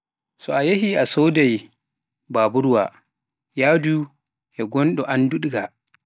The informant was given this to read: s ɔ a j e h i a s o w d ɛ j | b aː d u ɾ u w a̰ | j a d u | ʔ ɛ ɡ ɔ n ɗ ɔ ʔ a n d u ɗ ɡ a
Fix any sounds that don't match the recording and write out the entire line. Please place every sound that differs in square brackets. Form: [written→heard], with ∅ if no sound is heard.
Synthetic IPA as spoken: s ɔ a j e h i a s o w d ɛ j | b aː [d→b] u ɾ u w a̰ | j a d u | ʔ ɛ ɡ ɔ n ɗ ɔ ʔ a n d u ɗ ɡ a